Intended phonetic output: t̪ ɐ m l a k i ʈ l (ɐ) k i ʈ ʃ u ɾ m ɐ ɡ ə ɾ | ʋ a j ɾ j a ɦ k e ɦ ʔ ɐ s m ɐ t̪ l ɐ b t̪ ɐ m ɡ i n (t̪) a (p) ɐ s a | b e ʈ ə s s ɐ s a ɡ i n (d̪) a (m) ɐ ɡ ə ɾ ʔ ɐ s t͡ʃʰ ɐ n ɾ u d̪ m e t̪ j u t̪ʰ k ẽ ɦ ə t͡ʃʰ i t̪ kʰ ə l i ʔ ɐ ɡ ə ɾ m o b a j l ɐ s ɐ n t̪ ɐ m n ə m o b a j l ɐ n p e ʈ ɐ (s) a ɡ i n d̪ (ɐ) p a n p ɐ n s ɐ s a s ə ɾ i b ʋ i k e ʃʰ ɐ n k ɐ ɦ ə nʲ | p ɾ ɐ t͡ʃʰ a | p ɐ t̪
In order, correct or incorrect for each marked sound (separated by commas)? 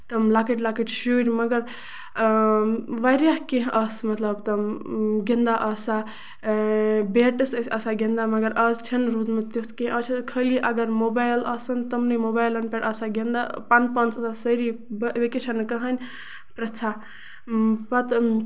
incorrect, incorrect, incorrect, correct, correct, correct, incorrect